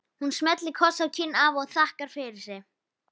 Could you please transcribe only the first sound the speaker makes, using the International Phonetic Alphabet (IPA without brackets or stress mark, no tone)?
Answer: h